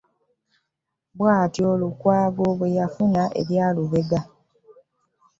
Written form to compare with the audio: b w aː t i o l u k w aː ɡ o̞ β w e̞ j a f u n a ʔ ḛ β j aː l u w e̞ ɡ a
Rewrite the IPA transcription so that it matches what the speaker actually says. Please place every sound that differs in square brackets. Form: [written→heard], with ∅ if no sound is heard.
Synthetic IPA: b w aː t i o l u k w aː ɡ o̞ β w e̞ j a f u n a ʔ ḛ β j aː l u [w→β] e̞ ɡ a